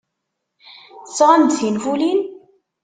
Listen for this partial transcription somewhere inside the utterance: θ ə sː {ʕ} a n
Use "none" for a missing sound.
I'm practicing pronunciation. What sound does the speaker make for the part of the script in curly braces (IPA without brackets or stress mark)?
ʁ